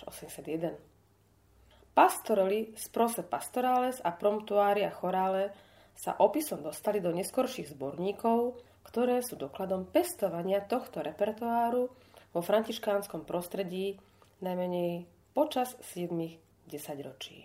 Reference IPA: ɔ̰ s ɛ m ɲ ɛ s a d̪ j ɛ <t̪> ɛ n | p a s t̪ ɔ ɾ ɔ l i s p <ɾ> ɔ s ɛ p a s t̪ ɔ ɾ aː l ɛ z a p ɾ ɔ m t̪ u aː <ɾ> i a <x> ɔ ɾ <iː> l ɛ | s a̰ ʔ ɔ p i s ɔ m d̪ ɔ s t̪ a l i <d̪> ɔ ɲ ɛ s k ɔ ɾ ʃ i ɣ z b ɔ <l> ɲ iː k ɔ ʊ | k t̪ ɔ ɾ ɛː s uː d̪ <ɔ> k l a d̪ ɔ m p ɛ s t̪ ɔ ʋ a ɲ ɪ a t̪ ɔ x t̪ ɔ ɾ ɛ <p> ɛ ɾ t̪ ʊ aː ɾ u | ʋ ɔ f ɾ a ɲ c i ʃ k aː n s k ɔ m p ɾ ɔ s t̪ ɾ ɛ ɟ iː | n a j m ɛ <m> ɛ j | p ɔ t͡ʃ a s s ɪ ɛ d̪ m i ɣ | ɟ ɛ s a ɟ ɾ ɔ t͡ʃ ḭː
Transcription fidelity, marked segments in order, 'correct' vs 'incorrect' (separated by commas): incorrect, correct, correct, correct, incorrect, correct, incorrect, correct, correct, incorrect